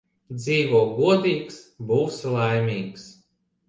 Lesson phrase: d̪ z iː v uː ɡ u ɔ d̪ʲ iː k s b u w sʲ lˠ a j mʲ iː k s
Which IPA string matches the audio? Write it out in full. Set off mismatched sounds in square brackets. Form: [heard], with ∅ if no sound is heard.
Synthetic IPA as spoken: d̪ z iː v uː ɡ u ɔ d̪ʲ iː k s b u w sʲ lˠ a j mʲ iː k s